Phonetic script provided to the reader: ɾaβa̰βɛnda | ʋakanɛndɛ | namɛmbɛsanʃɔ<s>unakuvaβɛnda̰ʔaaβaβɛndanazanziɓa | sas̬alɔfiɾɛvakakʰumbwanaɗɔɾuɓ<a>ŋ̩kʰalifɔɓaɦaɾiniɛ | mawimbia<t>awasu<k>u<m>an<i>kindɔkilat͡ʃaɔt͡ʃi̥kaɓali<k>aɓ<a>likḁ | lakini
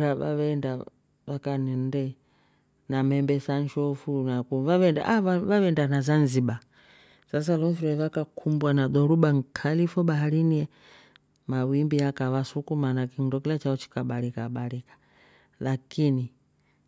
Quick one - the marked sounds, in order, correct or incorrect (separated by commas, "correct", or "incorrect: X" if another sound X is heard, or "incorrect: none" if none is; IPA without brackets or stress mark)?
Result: incorrect: f, correct, incorrect: k, correct, correct, incorrect: a, correct, correct